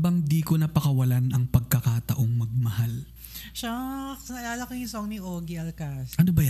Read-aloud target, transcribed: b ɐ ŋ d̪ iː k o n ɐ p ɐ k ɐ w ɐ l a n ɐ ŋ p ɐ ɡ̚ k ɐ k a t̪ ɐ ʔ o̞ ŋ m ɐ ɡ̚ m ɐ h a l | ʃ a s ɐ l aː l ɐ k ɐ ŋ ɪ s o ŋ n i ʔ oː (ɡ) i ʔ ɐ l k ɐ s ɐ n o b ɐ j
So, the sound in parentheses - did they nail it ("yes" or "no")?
yes